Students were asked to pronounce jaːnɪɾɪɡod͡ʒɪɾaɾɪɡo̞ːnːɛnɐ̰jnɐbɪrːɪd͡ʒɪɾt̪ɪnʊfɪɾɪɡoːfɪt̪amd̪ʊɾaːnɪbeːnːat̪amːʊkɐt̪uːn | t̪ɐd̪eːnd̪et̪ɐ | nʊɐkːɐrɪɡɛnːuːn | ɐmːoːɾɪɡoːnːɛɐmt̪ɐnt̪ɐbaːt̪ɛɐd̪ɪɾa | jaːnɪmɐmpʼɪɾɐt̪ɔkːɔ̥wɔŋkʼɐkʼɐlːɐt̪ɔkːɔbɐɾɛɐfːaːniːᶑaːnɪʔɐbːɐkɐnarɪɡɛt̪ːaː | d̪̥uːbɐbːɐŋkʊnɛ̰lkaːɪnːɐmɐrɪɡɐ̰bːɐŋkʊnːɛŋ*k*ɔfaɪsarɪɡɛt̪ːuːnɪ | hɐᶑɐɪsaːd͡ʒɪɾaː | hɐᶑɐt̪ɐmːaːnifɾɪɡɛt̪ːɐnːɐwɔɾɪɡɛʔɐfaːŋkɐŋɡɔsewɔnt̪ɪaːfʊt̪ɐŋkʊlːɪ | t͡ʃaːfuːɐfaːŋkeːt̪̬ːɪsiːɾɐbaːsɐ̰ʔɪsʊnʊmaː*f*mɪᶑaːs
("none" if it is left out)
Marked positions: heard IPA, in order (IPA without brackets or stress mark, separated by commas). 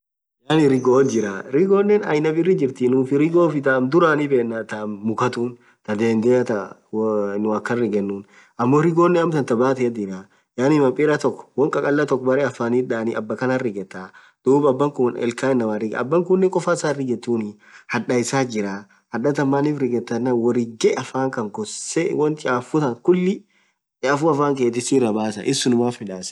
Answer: kʼ, f